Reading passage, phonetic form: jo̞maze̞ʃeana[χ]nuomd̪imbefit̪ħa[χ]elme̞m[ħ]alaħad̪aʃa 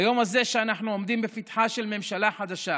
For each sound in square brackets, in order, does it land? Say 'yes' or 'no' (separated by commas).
no, no, no